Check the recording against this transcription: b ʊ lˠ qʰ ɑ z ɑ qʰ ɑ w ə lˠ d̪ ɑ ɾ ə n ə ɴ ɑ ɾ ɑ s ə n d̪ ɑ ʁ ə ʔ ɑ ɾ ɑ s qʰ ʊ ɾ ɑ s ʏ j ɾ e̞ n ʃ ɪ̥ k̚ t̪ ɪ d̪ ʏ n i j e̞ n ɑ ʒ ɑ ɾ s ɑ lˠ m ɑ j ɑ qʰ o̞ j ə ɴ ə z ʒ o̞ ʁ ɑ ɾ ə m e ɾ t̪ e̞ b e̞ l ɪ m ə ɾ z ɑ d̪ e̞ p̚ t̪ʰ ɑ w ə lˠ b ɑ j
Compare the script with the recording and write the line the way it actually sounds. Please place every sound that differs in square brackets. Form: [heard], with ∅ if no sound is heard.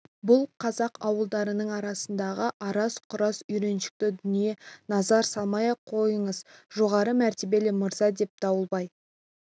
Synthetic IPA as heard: b ʊ lˠ qʰ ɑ z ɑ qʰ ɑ w ə lˠ d̪ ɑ ɾ ə n ə ɴ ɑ ɾ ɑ s ə n d̪ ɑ ʁ ə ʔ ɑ ɾ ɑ s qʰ ʊ ɾ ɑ s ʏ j ɾ e̞ n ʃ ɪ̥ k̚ t̪ ɪ d̪ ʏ n i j e̞ n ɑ [z] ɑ ɾ s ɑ lˠ m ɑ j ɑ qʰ o̞ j ə ɴ ə z ʒ o̞ ʁ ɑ ɾ ə m [æ] ɾ t̪ e̞ b e̞ l ɪ m ə ɾ z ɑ d̪ e̞ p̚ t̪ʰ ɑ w ə lˠ b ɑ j

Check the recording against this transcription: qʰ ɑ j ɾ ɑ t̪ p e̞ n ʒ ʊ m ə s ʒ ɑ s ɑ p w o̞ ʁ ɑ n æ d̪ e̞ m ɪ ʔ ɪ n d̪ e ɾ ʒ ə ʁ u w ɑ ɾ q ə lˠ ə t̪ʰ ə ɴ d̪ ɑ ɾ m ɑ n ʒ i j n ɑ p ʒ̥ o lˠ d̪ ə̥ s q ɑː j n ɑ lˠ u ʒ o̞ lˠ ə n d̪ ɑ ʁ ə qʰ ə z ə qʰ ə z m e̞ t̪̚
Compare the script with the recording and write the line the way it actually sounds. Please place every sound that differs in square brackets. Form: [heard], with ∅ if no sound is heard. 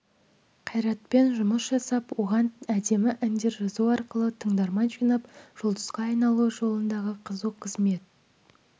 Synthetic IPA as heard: qʰ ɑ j ɾ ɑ t̪ p e̞ n ʒ ʊ m ə s ʒ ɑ s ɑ p w o̞ ʁ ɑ n æ d̪ e̞ m ɪ ʔ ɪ n d̪ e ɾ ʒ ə [z] u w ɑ ɾ q ə lˠ ə t̪ʰ ə ɴ d̪ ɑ ɾ m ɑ n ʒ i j n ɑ p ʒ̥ o lˠ d̪ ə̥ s q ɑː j n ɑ lˠ u ʒ o̞ lˠ ə n d̪ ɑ ʁ ə qʰ ə z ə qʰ ə z m e̞ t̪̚

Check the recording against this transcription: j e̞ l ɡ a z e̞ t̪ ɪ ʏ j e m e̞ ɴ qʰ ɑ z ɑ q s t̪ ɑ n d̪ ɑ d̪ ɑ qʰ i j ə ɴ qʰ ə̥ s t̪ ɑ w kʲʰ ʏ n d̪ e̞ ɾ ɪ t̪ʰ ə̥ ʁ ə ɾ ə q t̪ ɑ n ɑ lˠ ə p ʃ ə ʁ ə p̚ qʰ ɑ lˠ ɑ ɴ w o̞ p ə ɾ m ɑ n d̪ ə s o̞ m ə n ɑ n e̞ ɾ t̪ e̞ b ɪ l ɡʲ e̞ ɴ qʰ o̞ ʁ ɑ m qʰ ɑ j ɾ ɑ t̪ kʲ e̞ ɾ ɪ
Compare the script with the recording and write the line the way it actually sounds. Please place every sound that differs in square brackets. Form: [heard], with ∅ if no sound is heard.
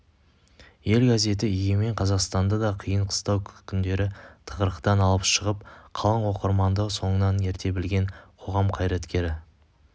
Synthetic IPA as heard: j e̞ l ɡ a z e̞ t̪ ɪ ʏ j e m e̞ ɴ qʰ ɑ z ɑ q s t̪ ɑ n d̪ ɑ d̪ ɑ qʰ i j ə ɴ qʰ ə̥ s t̪ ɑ w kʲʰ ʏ n d̪ e̞ ɾ ɪ t̪ʰ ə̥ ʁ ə ɾ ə q t̪ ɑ n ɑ lˠ ə p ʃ ə ʁ ə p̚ qʰ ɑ lˠ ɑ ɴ w o̞ [q] ə ɾ m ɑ n d̪ ə s o̞ [ɴ] ə n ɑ n e̞ ɾ t̪ e̞ b ɪ l ɡʲ e̞ ɴ qʰ o̞ ʁ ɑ m qʰ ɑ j ɾ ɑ t̪ kʲ e̞ ɾ ɪ

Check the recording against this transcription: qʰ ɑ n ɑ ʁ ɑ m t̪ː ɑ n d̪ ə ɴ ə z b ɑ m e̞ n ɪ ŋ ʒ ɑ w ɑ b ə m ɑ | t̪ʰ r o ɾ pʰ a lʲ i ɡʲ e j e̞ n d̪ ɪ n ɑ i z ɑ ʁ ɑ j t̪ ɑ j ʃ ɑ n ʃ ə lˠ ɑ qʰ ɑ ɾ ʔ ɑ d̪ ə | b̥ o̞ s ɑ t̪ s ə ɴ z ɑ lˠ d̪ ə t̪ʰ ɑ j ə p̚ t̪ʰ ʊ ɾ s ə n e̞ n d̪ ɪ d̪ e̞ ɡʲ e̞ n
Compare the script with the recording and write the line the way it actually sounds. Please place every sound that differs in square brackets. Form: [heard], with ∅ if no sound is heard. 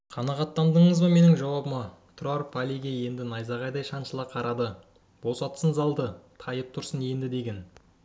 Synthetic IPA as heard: qʰ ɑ n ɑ ʁ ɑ [∅] t̪ː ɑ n d̪ ə ɴ ə z b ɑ m e̞ n ɪ ŋ ʒ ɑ w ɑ b ə m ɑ | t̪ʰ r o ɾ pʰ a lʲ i ɡʲ e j e̞ n d̪ ɪ n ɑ [j] z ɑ ʁ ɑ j [d̪] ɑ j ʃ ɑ n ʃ ə lˠ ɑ qʰ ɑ ɾ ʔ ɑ d̪ ə | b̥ o̞ s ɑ t̪ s ə [n] z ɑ lˠ d̪ ə t̪ʰ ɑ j ə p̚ t̪ʰ ʊ ɾ s ə n e̞ n d̪ ɪ d̪ e̞ ɡʲ e̞ n

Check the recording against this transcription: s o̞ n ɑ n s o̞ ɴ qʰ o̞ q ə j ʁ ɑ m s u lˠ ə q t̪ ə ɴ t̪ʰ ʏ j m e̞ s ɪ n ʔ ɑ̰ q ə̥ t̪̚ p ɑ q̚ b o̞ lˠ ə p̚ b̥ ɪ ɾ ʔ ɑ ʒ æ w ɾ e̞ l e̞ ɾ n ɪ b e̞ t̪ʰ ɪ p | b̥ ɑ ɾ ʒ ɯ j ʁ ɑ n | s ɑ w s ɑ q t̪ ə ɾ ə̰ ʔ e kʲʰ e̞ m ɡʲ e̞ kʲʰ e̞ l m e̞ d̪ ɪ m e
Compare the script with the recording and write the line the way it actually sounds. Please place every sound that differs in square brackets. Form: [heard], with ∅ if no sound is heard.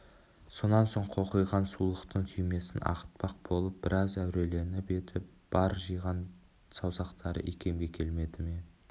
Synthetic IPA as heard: s o̞ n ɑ n s o̞ ɴ qʰ o̞ q ə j ʁ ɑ [n] s u lˠ ə q t̪ ə ɴ t̪ʰ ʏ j m e̞ s ɪ n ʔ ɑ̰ q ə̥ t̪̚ p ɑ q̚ b o̞ lˠ ə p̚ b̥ ɪ ɾ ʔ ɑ [z] æ w ɾ e̞ l e̞ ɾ n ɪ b e̞ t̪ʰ ɪ p | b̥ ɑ ɾ ʒ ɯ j ʁ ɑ n | s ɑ w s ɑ q t̪ [ɑ] ɾ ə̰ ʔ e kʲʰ e̞ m ɡʲ e̞ kʲʰ e̞ l m e̞ d̪ ɪ m e

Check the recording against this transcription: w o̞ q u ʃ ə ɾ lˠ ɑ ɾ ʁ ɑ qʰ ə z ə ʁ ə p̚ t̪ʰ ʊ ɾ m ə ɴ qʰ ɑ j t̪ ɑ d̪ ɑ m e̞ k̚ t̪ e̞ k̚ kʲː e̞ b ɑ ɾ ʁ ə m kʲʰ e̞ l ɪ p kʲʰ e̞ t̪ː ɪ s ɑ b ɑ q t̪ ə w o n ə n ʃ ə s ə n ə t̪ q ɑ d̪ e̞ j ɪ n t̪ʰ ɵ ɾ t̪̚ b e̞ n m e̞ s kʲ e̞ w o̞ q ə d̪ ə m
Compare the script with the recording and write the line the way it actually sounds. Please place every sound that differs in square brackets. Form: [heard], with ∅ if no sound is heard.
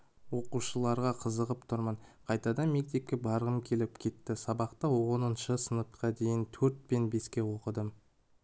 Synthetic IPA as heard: w o̞ q u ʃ ə [∅] lˠ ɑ ɾ ʁ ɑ qʰ ə z ə ʁ ə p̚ t̪ʰ ʊ ɾ m ə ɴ qʰ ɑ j t̪ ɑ d̪ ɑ m e̞ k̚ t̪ e̞ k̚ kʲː e̞ b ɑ ɾ ʁ ə m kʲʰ e̞ l ɪ p kʲʰ e̞ t̪ː ɪ s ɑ b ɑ q t̪ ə w o n ə n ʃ ə s ə n ə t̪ q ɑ d̪ e̞ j ɪ n t̪ʰ ɵ ɾ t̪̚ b e̞ n [b] e̞ s kʲ e̞ w o̞ q ə d̪ ə m

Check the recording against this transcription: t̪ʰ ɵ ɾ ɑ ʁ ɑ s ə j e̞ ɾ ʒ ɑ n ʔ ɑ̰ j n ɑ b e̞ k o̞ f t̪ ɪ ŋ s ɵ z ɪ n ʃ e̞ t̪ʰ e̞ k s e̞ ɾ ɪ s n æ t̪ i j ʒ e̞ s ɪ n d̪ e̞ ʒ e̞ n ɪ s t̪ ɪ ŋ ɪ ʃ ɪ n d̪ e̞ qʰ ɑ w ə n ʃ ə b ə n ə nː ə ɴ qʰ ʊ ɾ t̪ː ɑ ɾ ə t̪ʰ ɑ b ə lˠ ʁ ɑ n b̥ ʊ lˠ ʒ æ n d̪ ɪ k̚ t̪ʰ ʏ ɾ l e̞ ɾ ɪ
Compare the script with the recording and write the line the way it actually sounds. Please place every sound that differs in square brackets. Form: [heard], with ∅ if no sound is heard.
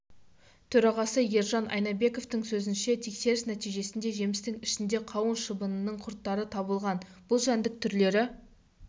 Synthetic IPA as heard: t̪ʰ ɵ ɾ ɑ ʁ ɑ s ə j e̞ ɾ ʒ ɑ n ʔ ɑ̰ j n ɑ b e̞ k o̞ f t̪ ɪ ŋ s ɵ z ɪ n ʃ e̞ t̪ʰ e̞ k s e̞ ɾ ɪ s n æ t̪ i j ʒ e̞ s ɪ n d̪ e̞ ʒ e̞ [m] ɪ s t̪ ɪ ŋ ɪ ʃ ɪ n d̪ e̞ qʰ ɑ w ə n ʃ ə b ə n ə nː ə ɴ qʰ ʊ ɾ t̪ː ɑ ɾ ə t̪ʰ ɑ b ə lˠ ʁ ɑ n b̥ ʊ lˠ ʒ æ n d̪ ɪ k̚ t̪ʰ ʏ ɾ l e̞ ɾ ɪ

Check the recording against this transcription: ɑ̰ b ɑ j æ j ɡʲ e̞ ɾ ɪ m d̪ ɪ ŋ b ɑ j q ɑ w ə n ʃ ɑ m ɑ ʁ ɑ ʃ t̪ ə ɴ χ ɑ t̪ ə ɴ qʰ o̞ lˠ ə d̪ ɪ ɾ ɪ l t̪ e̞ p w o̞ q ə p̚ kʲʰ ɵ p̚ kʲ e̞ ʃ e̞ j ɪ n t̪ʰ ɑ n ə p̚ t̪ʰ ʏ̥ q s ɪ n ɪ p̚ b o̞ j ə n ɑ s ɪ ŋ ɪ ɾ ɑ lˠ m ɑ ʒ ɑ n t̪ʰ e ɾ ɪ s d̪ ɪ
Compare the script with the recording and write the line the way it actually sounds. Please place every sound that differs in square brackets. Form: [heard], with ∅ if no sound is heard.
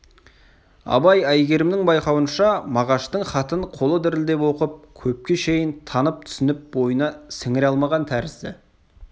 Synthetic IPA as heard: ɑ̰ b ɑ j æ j ɡʲ e̞ ɾ ɪ m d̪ ɪ ŋ b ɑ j q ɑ w ə n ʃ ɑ m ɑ ʁ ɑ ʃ t̪ ə ɴ χ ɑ t̪ ə ɴ qʰ o̞ lˠ ə d̪ ɪ ɾ ɪ l [d̪] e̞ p w o̞ q ə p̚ kʲʰ ɵ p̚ kʲ e̞ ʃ e̞ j ɪ n t̪ʰ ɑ n ə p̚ t̪ʰ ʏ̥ [∅] s ɪ n ɪ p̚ b o̞ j ə n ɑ s ɪ ŋ ɪ ɾ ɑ lˠ m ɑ [ʁ] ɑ n t̪ʰ [æ] ɾ ɪ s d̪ ɪ

